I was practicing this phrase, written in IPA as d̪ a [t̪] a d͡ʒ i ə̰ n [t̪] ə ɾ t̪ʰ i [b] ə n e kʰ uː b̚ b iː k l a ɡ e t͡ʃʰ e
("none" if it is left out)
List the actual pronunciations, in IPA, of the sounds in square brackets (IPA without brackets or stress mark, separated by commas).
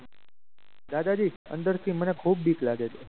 d̪, d̪, m